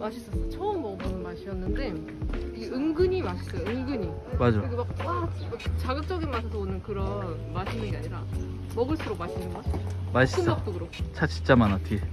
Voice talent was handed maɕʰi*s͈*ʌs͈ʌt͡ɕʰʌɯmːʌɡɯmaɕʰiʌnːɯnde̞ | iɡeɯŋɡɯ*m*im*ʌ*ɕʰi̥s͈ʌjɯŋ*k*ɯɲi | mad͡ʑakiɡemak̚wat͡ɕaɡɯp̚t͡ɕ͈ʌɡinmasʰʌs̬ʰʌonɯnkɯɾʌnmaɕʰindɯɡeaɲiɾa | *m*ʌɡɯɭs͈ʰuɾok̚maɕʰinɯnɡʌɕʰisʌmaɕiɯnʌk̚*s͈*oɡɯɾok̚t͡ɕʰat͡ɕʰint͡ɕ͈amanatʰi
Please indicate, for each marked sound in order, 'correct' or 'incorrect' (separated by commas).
correct, incorrect, incorrect, incorrect, correct, incorrect